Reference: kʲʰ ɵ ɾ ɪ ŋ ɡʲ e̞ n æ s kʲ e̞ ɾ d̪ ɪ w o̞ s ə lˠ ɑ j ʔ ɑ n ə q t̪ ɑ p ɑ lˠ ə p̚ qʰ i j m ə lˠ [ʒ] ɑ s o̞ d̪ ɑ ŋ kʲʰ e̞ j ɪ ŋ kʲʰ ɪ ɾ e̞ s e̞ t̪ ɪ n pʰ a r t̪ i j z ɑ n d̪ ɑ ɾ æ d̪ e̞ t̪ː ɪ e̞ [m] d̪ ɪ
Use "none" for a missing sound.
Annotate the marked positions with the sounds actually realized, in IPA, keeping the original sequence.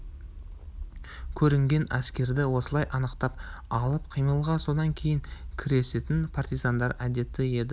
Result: ʁ, none

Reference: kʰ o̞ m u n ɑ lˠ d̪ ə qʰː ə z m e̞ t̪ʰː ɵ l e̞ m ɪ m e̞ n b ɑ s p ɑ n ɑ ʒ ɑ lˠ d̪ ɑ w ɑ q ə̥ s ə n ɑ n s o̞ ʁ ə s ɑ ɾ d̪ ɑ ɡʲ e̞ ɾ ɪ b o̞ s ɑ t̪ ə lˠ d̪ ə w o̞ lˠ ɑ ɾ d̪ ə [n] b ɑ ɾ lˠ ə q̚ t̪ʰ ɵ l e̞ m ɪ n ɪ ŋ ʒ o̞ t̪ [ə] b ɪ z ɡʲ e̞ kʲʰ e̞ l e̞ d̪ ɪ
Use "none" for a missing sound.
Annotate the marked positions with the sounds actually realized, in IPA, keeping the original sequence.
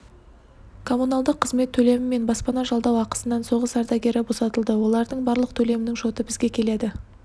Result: ɴ, ə

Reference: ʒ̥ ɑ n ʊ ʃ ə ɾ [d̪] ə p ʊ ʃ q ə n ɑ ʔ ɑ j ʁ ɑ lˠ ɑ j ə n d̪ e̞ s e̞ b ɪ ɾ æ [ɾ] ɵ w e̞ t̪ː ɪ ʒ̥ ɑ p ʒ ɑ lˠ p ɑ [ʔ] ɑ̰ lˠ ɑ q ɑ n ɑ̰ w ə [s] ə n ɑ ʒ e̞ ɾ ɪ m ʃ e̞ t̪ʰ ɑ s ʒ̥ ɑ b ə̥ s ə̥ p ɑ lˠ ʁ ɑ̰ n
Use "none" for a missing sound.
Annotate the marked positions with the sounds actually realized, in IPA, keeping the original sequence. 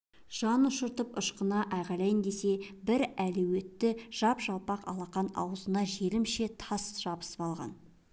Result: t̪, l, q, z

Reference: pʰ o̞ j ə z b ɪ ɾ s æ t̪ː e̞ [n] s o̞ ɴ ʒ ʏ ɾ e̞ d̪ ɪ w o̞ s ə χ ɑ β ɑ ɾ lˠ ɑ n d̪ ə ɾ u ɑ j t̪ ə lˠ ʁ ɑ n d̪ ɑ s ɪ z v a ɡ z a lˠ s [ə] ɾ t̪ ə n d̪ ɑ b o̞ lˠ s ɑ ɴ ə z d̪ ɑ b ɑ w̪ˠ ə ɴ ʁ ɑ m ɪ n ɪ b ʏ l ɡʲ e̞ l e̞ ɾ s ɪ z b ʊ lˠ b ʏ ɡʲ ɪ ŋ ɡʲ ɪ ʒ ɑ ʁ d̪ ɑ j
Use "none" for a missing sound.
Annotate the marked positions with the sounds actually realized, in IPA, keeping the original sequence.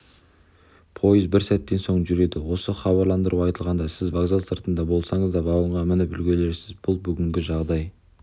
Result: n, ə

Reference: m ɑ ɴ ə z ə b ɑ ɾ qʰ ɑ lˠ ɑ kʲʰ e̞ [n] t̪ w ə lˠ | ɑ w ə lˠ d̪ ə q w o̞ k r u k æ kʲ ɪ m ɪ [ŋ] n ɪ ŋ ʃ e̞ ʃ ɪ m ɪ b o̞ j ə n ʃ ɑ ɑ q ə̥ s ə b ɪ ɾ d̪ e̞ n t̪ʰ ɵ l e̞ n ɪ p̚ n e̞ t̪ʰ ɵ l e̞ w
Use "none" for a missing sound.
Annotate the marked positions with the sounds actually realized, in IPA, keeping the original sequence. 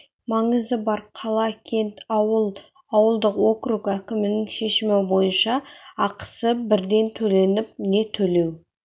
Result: n, none

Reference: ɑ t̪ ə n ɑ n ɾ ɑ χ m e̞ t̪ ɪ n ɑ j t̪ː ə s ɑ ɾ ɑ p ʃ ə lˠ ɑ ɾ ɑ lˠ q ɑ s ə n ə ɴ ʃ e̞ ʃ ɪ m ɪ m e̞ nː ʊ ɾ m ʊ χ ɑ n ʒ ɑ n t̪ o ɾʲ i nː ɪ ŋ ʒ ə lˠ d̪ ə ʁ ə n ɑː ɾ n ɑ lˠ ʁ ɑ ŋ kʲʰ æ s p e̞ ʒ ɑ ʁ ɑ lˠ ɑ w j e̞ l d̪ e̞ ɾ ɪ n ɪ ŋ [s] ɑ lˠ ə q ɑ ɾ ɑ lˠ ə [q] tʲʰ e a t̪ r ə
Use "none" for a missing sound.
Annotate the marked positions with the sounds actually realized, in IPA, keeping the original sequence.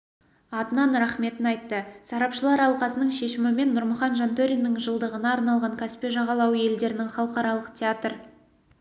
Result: χ, q

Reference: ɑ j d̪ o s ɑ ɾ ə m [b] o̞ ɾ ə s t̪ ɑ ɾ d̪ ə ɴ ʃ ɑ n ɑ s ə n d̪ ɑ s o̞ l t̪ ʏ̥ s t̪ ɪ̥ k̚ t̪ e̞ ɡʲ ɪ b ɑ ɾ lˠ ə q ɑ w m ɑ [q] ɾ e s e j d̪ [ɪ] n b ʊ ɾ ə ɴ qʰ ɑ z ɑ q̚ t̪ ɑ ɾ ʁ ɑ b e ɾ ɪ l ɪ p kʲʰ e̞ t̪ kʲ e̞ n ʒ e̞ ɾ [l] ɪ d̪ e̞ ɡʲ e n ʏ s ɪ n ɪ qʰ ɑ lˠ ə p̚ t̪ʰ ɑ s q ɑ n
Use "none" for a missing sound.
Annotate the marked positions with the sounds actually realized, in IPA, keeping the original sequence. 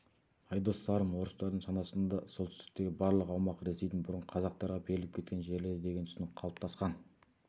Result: w, q, ɪ, l

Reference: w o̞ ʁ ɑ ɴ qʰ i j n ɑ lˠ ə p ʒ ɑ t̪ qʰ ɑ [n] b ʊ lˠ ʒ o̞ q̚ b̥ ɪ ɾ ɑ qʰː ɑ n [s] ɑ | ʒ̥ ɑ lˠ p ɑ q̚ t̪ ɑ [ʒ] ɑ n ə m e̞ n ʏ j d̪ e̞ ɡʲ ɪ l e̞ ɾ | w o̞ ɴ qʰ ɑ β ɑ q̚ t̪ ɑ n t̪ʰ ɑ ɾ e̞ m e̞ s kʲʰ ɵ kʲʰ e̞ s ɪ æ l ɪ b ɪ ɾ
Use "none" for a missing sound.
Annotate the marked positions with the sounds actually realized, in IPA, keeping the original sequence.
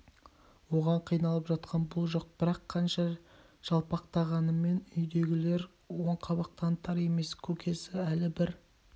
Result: n, ʃ, ʁ

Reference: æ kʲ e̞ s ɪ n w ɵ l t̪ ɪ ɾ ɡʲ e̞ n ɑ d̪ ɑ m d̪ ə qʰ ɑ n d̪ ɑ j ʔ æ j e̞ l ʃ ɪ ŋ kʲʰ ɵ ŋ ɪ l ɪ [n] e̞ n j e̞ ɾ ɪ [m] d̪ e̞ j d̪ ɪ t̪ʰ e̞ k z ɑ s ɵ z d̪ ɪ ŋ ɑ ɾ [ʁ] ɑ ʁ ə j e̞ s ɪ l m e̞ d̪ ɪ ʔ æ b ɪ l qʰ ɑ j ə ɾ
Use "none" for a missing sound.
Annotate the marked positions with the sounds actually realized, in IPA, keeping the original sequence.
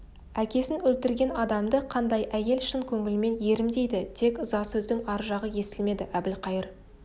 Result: m, m, ʒ

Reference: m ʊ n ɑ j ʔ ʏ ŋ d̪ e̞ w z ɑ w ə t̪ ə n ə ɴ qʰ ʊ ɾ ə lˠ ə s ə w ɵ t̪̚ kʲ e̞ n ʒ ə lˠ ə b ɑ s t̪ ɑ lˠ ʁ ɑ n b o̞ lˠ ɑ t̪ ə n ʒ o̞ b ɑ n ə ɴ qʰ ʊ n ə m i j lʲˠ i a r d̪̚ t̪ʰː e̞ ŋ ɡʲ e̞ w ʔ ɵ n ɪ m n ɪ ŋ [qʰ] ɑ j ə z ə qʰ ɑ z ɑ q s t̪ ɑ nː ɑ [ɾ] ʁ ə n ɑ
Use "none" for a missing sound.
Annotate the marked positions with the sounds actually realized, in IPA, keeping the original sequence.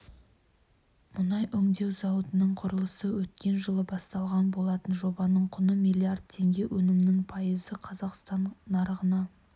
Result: pʰ, ɾ

